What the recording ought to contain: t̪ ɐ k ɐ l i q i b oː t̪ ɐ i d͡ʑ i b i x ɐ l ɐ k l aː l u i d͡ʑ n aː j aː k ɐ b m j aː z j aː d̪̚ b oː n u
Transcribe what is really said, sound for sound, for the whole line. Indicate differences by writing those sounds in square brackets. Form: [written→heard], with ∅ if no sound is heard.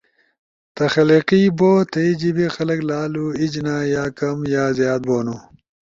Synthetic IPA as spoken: t̪ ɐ [k→x] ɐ l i q i b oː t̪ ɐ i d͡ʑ i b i x ɐ l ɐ k l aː l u i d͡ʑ n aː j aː k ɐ [b→∅] m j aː z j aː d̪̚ b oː n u